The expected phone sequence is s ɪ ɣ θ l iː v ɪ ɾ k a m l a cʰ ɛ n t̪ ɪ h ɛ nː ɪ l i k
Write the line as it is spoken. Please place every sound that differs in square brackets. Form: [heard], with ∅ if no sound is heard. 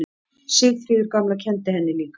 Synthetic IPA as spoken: s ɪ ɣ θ [ɾ] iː [ð] ɪ ɾ k a m l a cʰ ɛ n t̪ ɪ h ɛ nː ɪ l [iː] k